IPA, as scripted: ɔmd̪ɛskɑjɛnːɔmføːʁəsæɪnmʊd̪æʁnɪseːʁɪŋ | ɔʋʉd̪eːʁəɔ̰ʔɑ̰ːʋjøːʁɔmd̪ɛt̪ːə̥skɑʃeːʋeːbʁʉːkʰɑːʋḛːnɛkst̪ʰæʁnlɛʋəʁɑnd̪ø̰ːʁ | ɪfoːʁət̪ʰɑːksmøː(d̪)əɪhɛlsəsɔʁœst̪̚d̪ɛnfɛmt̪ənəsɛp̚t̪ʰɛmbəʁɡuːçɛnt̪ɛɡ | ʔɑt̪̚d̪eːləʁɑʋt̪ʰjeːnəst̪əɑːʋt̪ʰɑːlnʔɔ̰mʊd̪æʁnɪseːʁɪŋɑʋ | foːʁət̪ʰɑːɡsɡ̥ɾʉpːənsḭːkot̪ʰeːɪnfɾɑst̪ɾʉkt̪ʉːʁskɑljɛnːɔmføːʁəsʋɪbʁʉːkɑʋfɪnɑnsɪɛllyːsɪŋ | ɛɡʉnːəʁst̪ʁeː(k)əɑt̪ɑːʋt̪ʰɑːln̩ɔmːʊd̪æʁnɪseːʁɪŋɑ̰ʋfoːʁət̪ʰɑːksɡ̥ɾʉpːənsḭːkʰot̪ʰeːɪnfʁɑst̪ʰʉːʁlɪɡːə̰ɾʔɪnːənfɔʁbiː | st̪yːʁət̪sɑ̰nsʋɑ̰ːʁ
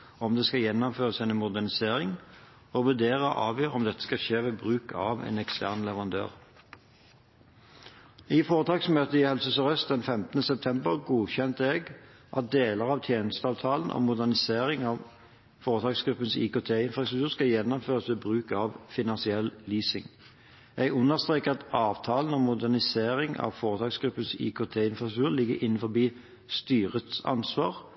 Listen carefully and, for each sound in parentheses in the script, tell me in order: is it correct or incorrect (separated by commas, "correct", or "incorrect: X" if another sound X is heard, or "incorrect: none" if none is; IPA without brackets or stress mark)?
incorrect: t̪, correct